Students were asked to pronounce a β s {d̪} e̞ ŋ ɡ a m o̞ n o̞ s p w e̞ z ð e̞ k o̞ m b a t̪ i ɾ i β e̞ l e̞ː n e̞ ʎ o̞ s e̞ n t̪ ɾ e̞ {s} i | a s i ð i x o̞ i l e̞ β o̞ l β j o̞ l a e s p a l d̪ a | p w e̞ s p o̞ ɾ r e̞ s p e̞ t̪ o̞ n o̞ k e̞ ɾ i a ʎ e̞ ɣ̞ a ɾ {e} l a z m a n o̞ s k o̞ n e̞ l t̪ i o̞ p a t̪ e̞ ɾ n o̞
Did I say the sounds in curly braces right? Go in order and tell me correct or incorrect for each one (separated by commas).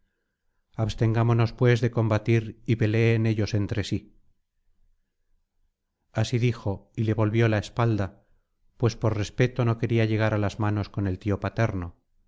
incorrect, correct, incorrect